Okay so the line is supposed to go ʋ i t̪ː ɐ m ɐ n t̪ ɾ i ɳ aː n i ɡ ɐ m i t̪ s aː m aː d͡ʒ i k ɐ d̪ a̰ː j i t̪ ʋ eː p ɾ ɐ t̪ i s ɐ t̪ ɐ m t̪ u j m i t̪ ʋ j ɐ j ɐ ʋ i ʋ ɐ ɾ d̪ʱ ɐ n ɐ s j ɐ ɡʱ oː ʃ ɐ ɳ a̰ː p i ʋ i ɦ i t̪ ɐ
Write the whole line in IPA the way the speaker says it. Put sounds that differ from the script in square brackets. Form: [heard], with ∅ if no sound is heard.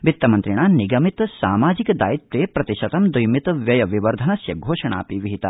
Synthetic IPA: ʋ i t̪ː ɐ m ɐ n t̪ ɾ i ɳ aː n i ɡ ɐ m i t̪ s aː m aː d͡ʒ i k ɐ d̪ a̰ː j i t̪ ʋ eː p ɾ ɐ t̪ i [ʃ] ɐ t̪ ɐ m [d̪] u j m i t̪ ʋ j ɐ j ɐ ʋ i ʋ ɐ ɾ d̪ʱ ɐ n ɐ s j ɐ ɡʱ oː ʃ ɐ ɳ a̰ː p i ʋ i ɦ i t̪ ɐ